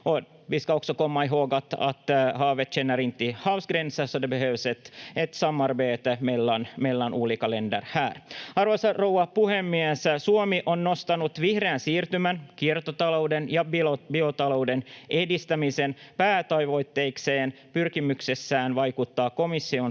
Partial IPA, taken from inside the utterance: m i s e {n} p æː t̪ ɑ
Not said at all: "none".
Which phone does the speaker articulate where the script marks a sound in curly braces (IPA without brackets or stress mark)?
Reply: n